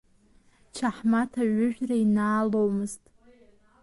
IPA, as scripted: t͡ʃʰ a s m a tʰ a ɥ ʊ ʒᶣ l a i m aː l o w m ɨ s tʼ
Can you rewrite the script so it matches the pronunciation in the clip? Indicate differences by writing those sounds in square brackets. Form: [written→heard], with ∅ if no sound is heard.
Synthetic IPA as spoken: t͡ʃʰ a [s→ħ] m a tʰ a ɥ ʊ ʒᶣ [l→r] a i [m→n] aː l o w m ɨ [s→z] tʼ